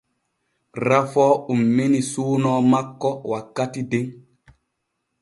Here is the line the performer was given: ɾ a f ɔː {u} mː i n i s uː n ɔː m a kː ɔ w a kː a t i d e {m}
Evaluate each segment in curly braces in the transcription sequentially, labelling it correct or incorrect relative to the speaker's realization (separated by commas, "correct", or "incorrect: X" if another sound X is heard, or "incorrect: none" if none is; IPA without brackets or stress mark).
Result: correct, incorrect: ŋ